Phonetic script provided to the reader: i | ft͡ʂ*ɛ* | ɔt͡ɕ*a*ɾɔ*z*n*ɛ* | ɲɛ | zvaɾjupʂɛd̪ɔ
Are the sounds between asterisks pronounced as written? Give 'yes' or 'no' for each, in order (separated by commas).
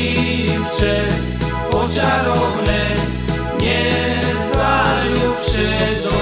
yes, yes, no, yes